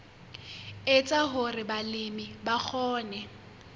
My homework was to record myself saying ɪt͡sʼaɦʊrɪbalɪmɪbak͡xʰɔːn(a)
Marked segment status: incorrect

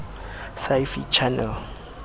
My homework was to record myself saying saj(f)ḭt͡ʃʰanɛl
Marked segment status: correct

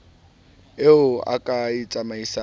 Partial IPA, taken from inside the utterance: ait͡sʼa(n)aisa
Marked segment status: incorrect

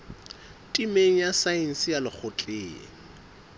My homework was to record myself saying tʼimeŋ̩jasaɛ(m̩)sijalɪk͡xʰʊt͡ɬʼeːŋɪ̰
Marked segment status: incorrect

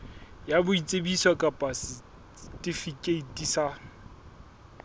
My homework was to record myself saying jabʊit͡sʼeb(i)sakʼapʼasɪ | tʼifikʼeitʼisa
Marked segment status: correct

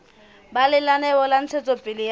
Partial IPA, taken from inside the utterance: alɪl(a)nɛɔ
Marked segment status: correct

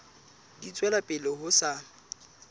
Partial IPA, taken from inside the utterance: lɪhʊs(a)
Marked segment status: correct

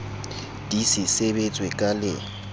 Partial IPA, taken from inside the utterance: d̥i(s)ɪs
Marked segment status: correct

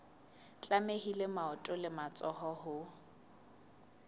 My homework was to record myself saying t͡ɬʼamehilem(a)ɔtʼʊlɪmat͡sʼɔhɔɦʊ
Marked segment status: correct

